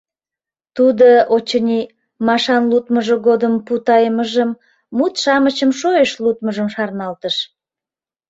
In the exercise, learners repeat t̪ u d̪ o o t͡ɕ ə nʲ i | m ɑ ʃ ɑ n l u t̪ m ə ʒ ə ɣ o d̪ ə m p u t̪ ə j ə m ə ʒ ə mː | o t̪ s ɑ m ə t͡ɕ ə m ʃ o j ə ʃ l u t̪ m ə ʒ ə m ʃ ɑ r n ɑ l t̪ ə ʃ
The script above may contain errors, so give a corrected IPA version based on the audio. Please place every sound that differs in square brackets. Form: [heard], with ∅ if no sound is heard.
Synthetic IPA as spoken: t̪ u d̪ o o t͡ɕ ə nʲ i | m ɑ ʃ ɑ n l u t̪ m ə ʒ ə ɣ o d̪ ə m p u t̪ [ɑ] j ə m ə ʒ ə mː | [u] t̪ [ʃ] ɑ m ə t͡ɕ ə m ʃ o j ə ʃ l u t̪ m ə ʒ ə m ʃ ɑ r n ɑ l t̪ ə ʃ